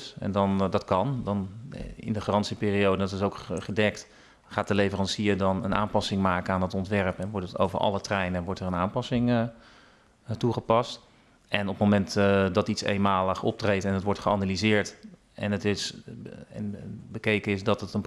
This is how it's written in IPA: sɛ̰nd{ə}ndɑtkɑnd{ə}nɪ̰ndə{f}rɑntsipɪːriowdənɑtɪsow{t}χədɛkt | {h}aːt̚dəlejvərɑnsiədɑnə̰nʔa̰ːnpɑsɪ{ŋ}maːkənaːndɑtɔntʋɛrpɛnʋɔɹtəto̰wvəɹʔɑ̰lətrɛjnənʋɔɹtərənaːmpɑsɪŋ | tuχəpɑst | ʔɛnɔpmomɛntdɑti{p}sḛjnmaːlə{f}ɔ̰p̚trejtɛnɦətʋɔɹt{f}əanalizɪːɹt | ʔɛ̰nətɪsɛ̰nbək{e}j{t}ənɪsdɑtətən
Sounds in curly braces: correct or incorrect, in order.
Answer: incorrect: ɑ, incorrect: ɑ, incorrect: χ, incorrect: k, incorrect: χ, correct, incorrect: t, incorrect: χ, incorrect: χ, correct, incorrect: k

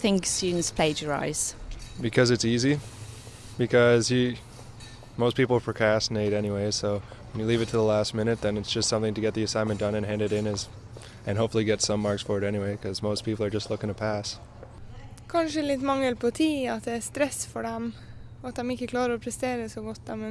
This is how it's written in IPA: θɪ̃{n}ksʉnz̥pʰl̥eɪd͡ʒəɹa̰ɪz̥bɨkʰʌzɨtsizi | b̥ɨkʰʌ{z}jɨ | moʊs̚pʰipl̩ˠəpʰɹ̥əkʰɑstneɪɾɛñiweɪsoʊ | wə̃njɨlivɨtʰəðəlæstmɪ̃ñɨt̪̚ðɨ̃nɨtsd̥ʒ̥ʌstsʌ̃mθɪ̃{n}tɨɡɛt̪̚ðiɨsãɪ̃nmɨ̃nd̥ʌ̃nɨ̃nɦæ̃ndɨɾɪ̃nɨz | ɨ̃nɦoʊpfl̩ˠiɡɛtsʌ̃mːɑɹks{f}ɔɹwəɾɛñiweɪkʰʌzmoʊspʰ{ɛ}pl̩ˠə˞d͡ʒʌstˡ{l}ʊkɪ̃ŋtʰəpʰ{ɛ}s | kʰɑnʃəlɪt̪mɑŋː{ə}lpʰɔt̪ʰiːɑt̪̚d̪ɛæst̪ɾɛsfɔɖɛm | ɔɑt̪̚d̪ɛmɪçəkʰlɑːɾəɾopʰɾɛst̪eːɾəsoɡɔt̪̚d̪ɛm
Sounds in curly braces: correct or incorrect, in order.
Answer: incorrect: ŋ, correct, incorrect: ŋ, correct, incorrect: i, correct, incorrect: æ, correct

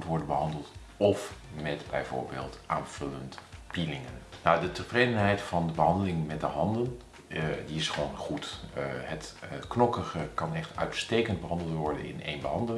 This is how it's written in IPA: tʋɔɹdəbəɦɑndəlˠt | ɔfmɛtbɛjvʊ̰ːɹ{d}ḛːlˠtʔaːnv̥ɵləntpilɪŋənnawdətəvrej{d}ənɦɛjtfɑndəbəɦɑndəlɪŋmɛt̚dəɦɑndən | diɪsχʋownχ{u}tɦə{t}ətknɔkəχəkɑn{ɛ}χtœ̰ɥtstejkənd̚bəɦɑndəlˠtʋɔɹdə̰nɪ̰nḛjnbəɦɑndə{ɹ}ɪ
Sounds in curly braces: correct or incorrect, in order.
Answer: incorrect: b, correct, correct, correct, correct, incorrect: l

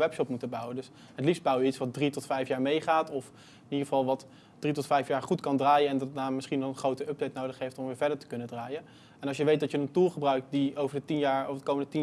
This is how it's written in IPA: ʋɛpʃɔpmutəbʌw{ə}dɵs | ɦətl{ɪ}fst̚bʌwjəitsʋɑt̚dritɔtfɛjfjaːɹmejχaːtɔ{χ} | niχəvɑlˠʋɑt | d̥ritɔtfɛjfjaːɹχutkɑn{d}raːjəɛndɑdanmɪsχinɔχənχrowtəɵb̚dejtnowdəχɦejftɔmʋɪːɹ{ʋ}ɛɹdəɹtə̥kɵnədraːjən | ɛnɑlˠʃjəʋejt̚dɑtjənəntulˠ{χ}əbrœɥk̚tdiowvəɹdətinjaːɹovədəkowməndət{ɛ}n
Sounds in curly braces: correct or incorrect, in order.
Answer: correct, incorrect: i, incorrect: f, correct, incorrect: v, correct, incorrect: i

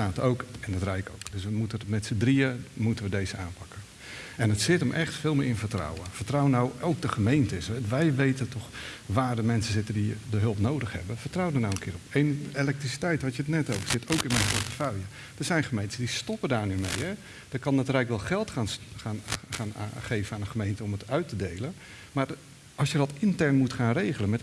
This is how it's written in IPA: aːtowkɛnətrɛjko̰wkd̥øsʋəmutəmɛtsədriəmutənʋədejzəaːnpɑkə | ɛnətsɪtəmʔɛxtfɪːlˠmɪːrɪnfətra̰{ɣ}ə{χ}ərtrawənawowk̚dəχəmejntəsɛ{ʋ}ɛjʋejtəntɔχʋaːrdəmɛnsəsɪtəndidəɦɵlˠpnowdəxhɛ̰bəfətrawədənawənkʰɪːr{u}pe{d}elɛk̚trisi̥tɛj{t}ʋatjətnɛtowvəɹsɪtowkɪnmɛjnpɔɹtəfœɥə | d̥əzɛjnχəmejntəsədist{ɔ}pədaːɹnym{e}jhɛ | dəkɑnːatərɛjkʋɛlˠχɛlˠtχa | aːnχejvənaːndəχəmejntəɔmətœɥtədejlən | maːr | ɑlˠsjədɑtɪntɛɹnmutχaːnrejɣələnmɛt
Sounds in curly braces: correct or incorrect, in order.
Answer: incorrect: w, incorrect: f, correct, incorrect: ɔ, incorrect: n, correct, correct, correct

